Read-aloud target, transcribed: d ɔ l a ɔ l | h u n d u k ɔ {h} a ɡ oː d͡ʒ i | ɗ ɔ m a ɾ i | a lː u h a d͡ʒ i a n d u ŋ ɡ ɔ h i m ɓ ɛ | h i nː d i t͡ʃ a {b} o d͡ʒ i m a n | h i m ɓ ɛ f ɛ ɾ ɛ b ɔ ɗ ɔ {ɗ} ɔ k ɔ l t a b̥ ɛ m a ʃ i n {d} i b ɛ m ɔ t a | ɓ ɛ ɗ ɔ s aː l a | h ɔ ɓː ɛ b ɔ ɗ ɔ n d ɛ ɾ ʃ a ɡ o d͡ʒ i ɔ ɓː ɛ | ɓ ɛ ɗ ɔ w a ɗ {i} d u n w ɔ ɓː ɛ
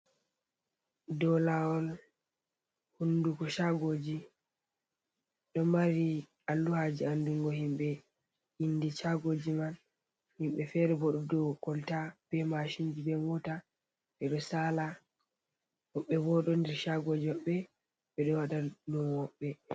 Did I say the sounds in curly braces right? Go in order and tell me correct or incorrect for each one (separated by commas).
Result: incorrect, incorrect, incorrect, incorrect, incorrect